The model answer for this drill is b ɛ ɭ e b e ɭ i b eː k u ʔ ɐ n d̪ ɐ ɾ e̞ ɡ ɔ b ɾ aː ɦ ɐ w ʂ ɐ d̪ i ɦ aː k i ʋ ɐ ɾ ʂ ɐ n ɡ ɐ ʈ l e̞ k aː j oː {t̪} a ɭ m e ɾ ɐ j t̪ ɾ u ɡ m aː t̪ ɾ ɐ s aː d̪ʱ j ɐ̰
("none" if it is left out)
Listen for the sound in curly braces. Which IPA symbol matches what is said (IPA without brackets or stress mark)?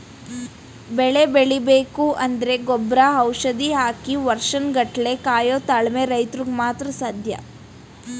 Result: t̪